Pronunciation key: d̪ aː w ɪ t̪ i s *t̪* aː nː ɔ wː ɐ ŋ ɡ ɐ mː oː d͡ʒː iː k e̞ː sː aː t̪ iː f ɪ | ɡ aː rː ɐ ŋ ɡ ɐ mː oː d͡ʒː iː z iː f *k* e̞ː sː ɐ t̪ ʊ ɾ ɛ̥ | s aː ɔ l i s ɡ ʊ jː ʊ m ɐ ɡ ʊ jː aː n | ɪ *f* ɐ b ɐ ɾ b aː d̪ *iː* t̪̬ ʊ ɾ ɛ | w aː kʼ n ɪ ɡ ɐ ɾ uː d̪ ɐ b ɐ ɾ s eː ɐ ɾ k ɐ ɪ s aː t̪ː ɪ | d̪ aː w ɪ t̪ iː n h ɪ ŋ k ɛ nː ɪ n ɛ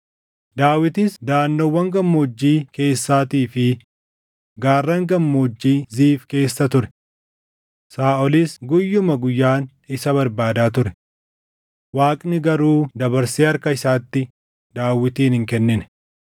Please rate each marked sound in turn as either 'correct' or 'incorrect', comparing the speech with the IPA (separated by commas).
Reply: incorrect, correct, incorrect, incorrect